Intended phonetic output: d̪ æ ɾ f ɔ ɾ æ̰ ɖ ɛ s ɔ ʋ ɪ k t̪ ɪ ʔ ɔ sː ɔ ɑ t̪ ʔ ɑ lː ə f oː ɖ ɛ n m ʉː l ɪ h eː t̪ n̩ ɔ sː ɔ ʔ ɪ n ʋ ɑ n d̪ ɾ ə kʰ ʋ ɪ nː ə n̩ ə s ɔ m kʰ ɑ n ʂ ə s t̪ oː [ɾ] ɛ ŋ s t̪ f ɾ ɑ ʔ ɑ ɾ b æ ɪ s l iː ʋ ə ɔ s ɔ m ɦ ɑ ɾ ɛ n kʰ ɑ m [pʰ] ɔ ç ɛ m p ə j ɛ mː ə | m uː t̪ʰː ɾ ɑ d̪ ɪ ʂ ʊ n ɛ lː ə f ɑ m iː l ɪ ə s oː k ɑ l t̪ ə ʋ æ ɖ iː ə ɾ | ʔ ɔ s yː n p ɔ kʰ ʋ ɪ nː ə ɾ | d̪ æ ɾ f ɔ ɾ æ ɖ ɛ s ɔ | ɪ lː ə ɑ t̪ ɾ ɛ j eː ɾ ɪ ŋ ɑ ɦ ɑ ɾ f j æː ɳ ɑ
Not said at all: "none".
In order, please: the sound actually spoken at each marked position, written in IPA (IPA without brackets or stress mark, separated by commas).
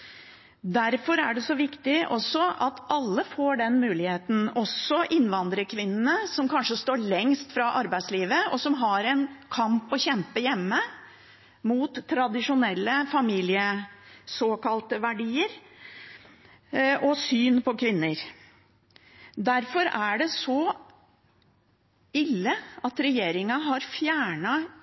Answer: ɭ, p